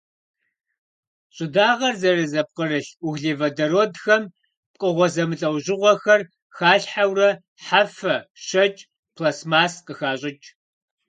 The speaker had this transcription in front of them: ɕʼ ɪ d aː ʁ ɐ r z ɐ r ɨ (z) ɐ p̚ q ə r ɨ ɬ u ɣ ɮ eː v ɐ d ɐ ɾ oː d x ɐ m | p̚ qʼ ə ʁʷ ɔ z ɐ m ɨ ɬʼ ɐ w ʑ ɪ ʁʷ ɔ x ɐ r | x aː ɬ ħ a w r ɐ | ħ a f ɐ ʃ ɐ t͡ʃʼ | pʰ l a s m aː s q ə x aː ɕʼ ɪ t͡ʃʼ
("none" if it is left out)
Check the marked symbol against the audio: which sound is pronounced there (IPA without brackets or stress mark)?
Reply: z